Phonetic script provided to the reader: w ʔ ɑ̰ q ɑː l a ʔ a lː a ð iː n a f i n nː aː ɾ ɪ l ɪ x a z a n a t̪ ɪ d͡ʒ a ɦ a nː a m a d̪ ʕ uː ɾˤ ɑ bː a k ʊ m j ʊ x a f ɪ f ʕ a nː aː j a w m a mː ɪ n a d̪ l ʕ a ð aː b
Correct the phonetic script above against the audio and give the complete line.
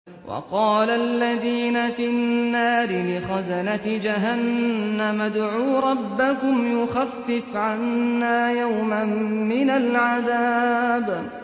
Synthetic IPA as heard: w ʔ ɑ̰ q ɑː l a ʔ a lː a ð iː n a f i n nː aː ɾ ɪ l ɪ x a z a n a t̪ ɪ d͡ʒ a ɦ a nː a m a d̪ ʕ uː ɾˤ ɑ bː a k ʊ m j ʊ x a fː ɪ f ʕ a nː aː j a w m a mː ɪ n a l ʕ a ð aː b